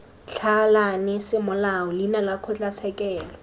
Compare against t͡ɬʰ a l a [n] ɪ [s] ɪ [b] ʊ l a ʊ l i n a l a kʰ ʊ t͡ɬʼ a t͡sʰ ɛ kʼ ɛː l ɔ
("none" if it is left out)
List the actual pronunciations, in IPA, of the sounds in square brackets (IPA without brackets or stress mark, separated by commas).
n, s, m